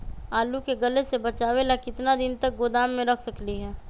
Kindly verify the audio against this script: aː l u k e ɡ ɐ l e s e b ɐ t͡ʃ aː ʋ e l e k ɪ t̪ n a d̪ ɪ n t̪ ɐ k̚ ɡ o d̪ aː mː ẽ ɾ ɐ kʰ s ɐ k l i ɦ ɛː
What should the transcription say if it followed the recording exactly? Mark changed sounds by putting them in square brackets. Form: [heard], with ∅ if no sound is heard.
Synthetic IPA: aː l u k e ɡ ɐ l e s e b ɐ t͡ʃ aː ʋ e l [a] k ɪ t̪ n a d̪ ɪ n t̪ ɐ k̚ ɡ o d̪ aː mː ẽ ɾ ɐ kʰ s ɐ k l i ɦ ɛː